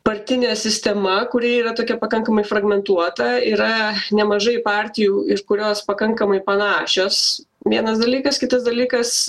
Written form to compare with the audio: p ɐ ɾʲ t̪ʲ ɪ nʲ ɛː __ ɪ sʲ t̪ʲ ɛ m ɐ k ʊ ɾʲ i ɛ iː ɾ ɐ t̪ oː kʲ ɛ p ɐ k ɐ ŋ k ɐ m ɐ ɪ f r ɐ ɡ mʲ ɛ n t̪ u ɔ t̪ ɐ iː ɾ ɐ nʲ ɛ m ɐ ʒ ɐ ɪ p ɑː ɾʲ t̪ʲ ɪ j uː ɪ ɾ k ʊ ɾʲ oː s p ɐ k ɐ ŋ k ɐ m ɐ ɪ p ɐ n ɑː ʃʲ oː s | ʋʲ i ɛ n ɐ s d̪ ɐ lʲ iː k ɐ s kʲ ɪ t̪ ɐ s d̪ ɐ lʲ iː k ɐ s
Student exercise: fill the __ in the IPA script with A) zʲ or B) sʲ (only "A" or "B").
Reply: B